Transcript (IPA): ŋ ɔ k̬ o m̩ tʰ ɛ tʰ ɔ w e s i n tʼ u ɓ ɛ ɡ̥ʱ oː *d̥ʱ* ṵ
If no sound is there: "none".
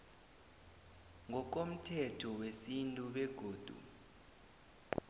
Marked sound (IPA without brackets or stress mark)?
d̥ʱ